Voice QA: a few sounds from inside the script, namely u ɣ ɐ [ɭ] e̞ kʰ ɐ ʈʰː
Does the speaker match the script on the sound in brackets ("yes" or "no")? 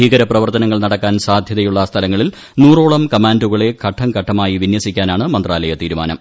yes